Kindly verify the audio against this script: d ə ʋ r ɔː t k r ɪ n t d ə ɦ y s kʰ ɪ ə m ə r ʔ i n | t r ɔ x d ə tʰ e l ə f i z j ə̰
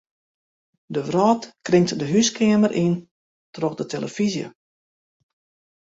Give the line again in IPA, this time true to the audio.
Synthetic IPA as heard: d ə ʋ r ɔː t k r ɪ ŋ t d ə ɦ y s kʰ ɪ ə m ə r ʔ i n | t r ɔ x d ə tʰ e l ə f i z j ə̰